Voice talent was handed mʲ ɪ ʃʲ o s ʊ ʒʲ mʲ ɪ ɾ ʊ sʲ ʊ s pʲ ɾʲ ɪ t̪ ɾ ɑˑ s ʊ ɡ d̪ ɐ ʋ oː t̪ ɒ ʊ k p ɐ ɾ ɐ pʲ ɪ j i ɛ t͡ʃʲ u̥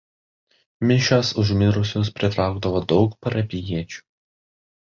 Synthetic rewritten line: mʲ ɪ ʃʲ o s ʊ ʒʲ mʲ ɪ ɾ ʊ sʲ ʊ s pʲ ɾʲ ɪ t̪ ɾ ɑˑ ʊ ɡ d̪ ɐ ʋ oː d̪ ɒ ʊ k p ɐ ɾ ɐ pʲ ɪ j i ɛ t͡ʃʲ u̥